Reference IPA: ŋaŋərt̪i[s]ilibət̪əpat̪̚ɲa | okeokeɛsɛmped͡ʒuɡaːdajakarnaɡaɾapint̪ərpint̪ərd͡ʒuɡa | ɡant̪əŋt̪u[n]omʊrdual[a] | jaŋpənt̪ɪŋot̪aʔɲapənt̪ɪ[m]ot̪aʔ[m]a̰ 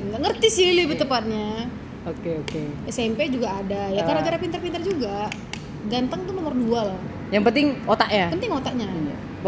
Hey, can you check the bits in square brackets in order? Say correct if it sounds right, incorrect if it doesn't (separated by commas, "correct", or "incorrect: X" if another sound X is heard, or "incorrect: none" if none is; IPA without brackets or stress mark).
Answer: correct, correct, correct, incorrect: ŋ, incorrect: ɲ